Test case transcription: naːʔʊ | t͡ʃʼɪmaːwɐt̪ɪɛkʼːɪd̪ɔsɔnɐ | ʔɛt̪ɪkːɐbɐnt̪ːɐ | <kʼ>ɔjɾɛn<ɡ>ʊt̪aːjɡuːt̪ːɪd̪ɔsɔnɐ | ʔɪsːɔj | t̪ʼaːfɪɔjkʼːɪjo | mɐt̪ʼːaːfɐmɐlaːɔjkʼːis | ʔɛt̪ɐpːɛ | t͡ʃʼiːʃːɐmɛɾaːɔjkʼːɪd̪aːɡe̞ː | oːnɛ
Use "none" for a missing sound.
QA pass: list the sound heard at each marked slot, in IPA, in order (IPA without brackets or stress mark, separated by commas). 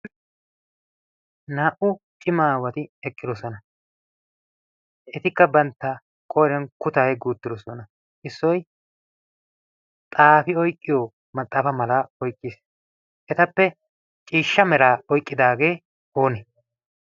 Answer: kʼ, k